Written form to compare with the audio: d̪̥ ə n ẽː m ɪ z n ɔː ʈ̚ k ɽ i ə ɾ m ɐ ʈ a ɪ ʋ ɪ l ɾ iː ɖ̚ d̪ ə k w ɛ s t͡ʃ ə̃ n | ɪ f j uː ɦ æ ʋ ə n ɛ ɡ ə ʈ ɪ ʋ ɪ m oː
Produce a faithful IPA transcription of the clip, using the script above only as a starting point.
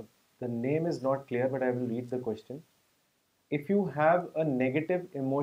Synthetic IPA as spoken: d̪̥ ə n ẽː m ɪ z n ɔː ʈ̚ k l i ə ɾ b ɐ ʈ a ɪ ʋ ɪ l ɾ iː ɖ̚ d̪ ə k w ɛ s t͡ʃ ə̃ n | ɪ f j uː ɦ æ ʋ ə n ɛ ɡ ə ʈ ɪ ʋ ɪ m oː